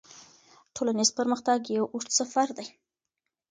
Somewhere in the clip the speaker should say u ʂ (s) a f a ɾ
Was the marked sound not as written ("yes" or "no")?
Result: no